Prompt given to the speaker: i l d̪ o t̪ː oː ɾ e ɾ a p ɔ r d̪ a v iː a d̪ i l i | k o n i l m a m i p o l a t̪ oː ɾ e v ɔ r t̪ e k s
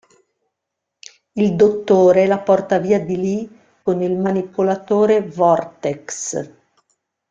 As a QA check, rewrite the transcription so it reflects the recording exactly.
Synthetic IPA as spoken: i l d̪ o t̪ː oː ɾ e l a p ɔ r t̪ a v iː a d̪ i l i | k o n i l m a n i p o l a t̪ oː ɾ e v ɔ r t̪ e k s

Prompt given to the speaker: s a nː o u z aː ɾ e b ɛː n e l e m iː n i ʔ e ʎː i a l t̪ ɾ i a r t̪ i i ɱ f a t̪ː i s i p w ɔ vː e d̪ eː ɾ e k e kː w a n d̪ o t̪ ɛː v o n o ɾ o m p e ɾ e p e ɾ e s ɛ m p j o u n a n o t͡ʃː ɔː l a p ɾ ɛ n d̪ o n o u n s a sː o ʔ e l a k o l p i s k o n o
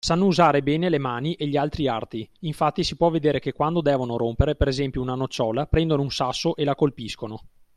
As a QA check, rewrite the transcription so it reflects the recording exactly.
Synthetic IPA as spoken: s a nː o u z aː ɾ e b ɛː n e l e m aː n i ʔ e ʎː i a l t̪ ɾ i a r t̪ i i ɱ f a t̪ː i s i p w ɔ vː e d̪ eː ɾ e k e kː w a n d̪ o d̪ ɛː v o n o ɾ o m p e ɾ e p e ɾ e z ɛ m p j o u n a n o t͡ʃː ɔː l a p ɾ ɛ n d̪ o n o u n s a sː o ʔ e l a k o l p i s k o n o

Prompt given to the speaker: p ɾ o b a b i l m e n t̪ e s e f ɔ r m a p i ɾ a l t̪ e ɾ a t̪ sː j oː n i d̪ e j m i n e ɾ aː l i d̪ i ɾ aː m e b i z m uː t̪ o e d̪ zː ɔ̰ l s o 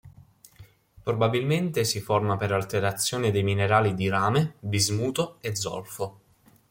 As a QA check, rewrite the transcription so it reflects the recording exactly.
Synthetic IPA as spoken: p ɾ o b a b i l m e n t̪ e s i f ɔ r m a p e ɾ a l t̪ e ɾ a t̪ sː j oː n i d̪ e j m i n e ɾ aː l i d̪ i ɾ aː m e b i z m uː t̪ o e d̪ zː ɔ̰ l f o

